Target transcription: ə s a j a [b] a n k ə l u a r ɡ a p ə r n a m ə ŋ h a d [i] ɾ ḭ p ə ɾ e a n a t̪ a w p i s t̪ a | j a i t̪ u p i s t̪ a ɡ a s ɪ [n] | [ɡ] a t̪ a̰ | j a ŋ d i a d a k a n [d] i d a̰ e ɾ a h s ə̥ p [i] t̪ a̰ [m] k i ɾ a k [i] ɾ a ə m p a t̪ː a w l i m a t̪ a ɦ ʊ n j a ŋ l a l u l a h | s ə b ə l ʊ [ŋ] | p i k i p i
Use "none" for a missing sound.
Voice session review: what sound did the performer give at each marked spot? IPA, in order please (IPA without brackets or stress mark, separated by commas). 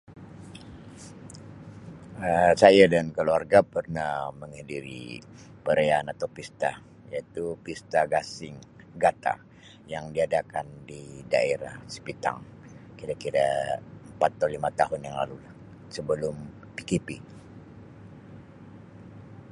d, i, ŋ, ɡ, d, i, ŋ, i, m